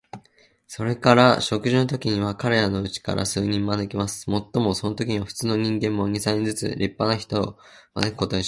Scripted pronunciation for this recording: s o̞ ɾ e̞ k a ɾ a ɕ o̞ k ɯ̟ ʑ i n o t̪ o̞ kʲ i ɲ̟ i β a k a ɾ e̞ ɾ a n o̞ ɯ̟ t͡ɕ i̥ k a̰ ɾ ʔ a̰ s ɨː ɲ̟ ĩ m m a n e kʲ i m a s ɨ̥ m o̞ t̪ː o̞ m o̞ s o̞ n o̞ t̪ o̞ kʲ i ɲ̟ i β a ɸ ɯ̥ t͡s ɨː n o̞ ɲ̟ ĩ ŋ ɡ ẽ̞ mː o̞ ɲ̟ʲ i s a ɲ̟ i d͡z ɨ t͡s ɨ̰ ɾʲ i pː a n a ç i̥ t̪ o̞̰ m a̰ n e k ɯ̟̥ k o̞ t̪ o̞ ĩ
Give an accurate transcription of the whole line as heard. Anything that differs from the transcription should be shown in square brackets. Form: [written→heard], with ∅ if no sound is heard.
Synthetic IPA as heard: s o̞ ɾ e̞ k a ɾ a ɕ o̞ k ɯ̟ ʑ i n o t̪ o̞ kʲ i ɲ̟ i β a k a ɾ e̞ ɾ a n o̞ ɯ̟ t͡ɕ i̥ k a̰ ɾ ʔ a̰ s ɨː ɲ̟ ĩ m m a n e kʲ i m a s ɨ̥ m o̞ t̪ː o̞ m o̞ s o̞ n o̞ t̪ o̞ kʲ i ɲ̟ i β a ɸ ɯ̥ t͡s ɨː n o̞ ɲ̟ ĩ ŋ ɡ ẽ̞ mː o̞ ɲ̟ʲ i s a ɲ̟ i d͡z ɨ t͡s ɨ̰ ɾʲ i pː a n a ç i̥ t̪ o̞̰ m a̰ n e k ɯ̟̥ k o̞ t̪ o̞ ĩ